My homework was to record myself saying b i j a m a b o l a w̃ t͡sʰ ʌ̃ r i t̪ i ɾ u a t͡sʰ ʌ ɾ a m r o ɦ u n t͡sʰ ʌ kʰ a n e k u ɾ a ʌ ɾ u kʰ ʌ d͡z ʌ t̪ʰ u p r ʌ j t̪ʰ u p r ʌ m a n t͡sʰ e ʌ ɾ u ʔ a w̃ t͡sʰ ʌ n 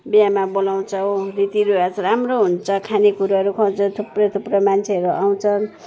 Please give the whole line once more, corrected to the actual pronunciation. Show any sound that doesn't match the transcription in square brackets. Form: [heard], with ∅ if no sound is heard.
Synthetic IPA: b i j a m a b o l a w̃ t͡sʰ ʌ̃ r i t̪ i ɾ u a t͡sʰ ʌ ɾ a m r o ɦ u n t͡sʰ ʌ kʰ a n e k u ɾ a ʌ ɾ u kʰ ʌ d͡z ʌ t̪ʰ u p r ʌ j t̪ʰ u p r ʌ m a n t͡sʰ e ʌ ɾ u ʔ a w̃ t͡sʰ ʌ n

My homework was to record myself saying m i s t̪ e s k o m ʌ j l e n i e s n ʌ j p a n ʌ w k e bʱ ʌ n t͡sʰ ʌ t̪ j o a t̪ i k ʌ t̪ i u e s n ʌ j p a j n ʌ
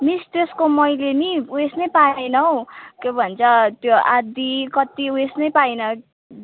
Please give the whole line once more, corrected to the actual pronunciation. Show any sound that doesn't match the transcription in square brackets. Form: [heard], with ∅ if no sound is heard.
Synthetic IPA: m i s t̪ e s k o m ʌ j l e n i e s n ʌ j p a n ʌ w k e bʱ ʌ n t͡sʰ ʌ t̪ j o a [d̪] i k ʌ t̪ i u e s n ʌ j p a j n ʌ

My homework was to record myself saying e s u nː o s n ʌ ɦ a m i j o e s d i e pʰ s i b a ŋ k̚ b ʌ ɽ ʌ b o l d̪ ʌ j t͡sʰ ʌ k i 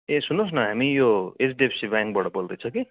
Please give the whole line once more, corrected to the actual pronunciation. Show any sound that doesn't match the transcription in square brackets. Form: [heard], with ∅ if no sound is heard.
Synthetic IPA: e s u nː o s n ʌ ɦ a m i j o e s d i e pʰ s i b a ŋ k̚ b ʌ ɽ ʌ b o l d̪ ʌ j t͡sʰ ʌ k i

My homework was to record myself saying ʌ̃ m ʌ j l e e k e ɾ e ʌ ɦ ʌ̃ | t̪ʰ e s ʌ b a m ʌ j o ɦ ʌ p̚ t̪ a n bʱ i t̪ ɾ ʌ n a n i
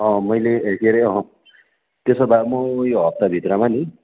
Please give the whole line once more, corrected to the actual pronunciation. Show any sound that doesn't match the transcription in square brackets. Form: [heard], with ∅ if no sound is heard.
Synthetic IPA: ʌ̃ m ʌ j l e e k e ɾ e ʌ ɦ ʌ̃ | [t̪] e s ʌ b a m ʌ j o ɦ ʌ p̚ t̪ a [∅] bʱ i t̪ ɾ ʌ [m] a n i

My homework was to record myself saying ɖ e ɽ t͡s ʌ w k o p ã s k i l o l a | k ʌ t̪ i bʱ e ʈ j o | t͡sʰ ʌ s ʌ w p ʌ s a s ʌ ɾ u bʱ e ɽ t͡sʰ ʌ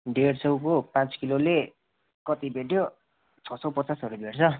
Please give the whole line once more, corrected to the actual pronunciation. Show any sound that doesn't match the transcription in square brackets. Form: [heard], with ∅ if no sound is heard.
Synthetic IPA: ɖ e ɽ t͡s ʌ w k o p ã [t͡s] k i l o l [e] | k ʌ t̪ i bʱ e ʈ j o | t͡sʰ ʌ s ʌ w p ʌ [t͡s] a s ʌ ɾ u bʱ e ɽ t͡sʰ ʌ

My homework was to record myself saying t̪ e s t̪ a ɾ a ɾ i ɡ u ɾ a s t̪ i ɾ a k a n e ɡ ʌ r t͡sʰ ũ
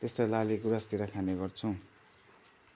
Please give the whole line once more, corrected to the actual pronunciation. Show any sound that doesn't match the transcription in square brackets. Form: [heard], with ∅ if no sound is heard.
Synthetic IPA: t̪ e s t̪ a [l] a [l] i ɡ u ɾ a s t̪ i ɾ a [kʰ] a n e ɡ ʌ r t͡sʰ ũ

